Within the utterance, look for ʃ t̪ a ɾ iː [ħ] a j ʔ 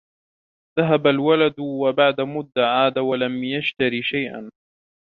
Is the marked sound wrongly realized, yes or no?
yes